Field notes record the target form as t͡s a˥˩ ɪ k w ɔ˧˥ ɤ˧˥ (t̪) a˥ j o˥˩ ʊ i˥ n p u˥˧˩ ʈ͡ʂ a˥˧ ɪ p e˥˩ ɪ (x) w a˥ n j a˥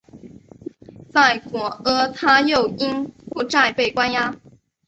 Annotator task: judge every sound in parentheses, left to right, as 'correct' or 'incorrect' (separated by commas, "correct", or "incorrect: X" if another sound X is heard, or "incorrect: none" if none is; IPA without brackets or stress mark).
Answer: incorrect: t̪ʰ, incorrect: k